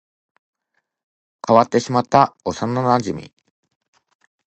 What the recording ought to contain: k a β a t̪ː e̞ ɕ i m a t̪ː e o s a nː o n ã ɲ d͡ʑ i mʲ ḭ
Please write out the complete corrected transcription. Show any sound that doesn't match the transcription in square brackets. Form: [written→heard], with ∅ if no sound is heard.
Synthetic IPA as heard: k a β a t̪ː e̞ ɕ i m a t̪ː [e→a] o s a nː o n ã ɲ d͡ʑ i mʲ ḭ